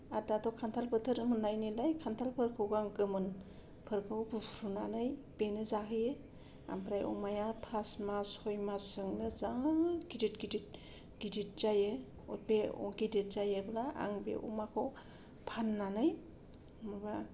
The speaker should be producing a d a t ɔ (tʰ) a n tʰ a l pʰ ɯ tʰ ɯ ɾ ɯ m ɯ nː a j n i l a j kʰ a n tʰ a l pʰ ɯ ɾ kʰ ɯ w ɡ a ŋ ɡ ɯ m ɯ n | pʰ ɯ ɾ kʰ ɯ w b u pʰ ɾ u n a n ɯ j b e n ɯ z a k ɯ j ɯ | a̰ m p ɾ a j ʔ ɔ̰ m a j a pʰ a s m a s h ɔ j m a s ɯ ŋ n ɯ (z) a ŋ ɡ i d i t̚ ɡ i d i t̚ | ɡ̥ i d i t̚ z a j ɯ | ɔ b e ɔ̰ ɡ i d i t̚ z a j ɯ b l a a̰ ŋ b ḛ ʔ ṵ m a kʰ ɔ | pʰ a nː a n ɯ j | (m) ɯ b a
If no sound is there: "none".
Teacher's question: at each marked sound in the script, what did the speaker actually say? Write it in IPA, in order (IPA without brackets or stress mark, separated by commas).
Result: kʰ, z, m